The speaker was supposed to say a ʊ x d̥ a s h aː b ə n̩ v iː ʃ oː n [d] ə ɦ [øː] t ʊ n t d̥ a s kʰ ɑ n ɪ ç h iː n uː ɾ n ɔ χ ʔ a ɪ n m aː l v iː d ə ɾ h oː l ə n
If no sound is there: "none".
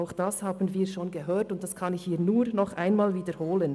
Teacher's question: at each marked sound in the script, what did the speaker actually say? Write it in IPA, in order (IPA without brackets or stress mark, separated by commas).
ɡ, øː